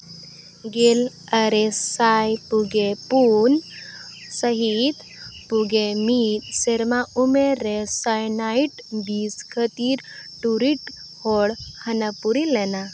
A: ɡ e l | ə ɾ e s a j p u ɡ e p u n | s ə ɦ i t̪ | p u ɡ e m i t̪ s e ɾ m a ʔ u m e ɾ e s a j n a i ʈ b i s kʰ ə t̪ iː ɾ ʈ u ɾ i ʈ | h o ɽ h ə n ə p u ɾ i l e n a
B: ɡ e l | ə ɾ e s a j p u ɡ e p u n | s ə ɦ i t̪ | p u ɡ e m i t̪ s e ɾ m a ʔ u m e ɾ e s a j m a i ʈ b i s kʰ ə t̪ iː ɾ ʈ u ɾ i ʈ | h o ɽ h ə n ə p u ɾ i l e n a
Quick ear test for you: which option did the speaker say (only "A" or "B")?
A